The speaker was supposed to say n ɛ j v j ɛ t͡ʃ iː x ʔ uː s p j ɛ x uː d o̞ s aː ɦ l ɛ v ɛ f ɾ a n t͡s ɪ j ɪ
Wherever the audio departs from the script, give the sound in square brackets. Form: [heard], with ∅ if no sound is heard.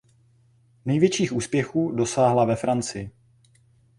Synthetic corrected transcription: n ɛ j v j ɛ t͡ʃ iː x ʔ uː s p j ɛ x uː d o̞ s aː ɦ l [a] v ɛ f ɾ a n t͡s ɪ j ɪ